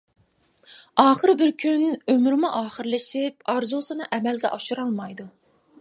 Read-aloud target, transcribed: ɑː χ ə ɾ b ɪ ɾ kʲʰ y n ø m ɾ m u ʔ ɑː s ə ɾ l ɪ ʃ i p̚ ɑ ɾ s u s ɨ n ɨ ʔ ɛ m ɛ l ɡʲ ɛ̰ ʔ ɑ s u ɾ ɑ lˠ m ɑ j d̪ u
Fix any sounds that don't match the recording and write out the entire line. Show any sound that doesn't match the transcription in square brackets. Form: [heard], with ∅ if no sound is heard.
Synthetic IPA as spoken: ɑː χ ə ɾ b ɪ ɾ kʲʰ y n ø m ɾ m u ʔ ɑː [χ] ə ɾ l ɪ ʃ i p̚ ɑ ɾ [z] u s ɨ n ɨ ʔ ɛ m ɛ l ɡʲ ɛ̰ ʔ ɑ [ʃ] u ɾ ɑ lˠ m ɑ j d̪ u